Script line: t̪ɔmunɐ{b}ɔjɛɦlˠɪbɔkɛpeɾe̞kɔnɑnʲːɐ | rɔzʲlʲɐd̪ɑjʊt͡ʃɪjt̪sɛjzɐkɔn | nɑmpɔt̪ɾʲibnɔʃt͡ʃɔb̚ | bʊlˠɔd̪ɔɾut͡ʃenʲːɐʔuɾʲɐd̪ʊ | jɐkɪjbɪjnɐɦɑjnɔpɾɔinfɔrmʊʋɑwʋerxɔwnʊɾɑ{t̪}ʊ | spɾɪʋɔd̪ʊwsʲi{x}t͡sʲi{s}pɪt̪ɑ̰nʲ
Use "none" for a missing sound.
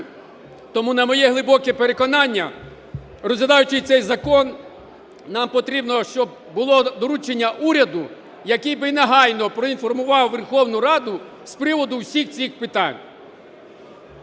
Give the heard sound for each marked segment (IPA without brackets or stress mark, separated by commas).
m, d̪, x, x